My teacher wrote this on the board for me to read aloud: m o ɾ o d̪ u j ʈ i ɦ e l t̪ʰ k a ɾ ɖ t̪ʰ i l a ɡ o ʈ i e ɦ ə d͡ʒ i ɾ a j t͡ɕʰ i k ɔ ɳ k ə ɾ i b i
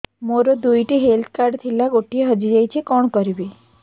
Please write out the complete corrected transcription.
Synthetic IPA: m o ɾ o d̪ u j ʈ i ɦ e l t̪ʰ k a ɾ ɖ t̪ʰ i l a ɡ o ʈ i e ɦ ə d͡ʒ i ɾ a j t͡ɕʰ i k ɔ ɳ k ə ɾ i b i